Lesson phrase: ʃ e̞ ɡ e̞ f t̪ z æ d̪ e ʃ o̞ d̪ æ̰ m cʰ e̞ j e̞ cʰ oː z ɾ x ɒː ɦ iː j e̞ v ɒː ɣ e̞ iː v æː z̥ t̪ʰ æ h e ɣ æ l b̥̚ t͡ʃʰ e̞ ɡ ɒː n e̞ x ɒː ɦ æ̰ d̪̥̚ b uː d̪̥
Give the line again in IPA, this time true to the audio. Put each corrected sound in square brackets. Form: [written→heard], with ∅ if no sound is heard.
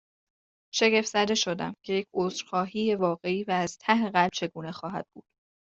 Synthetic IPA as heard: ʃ e̞ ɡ e̞ f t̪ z æ d̪ e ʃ o̞ d̪ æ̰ m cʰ e̞ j e̞ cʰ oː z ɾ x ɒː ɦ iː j e̞ v ɒː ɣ e̞ iː v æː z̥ t̪ʰ æ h e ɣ æ l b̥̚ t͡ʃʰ e̞ ɡ [ɒː→uː] n e̞ x ɒː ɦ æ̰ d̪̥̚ b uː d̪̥